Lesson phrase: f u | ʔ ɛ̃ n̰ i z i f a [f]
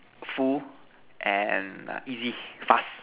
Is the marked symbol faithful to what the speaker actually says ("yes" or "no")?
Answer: no